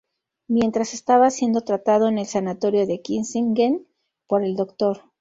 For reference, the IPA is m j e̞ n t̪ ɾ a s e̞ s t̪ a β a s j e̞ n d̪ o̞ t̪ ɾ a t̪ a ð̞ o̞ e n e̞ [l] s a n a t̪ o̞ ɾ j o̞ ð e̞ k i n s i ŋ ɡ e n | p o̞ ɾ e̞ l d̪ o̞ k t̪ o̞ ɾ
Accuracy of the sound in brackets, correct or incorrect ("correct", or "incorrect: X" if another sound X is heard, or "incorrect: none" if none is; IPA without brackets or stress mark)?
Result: correct